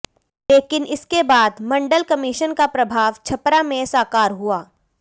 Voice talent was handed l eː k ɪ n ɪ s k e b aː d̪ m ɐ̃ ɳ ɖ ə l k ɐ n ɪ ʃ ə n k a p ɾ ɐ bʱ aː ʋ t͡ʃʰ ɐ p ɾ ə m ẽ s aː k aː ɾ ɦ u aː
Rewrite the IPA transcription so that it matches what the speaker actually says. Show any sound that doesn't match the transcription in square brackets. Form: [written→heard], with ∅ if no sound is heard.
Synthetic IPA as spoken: l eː k ɪ n ɪ s k e b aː d̪ m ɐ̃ ɳ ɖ ə l k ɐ [n→m] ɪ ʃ ə n k a p ɾ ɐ bʱ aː ʋ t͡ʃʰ ɐ p ɾ [ə→a] m ẽ s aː k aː ɾ ɦ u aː